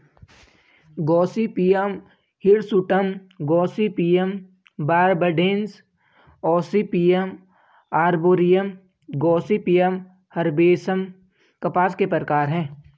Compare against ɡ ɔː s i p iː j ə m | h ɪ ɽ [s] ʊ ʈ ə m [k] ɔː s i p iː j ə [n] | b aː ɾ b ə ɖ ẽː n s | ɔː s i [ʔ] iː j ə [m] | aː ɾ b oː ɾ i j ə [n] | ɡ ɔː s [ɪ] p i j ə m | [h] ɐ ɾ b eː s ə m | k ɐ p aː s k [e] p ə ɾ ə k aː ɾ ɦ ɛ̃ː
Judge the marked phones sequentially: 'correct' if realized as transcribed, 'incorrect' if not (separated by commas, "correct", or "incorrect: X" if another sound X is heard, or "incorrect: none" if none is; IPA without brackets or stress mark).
correct, incorrect: ɡ, incorrect: m, incorrect: p, correct, incorrect: m, incorrect: i, correct, correct